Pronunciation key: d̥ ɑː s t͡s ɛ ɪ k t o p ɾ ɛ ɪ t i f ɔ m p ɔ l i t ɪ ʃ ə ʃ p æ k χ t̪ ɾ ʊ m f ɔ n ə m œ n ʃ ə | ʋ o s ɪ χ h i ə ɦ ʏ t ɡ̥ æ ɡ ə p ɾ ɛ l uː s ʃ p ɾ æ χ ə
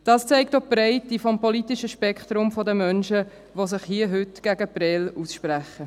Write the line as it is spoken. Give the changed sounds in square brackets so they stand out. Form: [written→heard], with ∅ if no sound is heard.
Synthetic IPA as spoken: d̥ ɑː s t͡s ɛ ɪ k t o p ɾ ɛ ɪ t i f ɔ m p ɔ l i t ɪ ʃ ə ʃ p [æ→ɛ] k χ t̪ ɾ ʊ m f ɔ [n→d] ə m œ n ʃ ə | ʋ o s ɪ χ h i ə ɦ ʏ t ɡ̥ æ ɡ ə p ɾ ɛ l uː s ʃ p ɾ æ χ ə